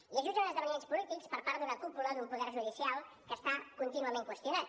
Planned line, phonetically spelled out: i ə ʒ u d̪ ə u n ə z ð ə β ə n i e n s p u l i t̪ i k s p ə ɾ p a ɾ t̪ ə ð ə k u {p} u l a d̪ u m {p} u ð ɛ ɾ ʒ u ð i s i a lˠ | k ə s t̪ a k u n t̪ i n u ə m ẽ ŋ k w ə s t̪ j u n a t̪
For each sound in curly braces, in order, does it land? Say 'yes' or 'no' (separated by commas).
yes, yes